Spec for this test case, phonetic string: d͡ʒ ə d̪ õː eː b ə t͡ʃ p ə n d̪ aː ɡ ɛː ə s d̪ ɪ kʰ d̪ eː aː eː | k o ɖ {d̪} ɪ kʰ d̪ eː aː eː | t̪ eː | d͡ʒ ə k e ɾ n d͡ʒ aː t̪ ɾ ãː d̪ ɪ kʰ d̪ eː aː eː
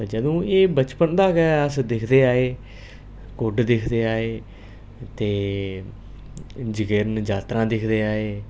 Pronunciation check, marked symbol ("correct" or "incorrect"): correct